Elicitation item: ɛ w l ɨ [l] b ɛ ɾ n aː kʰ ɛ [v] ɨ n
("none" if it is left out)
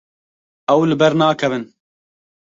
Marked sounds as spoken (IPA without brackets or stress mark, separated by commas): none, v